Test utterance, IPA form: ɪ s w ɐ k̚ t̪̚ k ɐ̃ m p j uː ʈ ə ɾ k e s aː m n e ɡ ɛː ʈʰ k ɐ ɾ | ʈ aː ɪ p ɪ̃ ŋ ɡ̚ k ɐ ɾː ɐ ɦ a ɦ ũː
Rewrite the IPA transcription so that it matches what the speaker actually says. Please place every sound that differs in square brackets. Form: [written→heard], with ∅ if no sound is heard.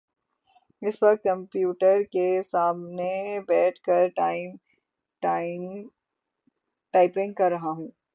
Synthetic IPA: ɪ s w ɐ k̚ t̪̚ k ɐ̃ m p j uː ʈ ə ɾ k e s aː m n e [ɡ→b] ɛː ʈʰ k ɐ ɾ | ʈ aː ɪ p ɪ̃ ŋ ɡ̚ k ɐ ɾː ɐ ɦ a ɦ ũː